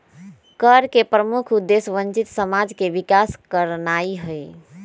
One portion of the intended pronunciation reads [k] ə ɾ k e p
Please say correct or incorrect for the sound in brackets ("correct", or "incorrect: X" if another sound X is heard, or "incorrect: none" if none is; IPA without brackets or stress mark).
correct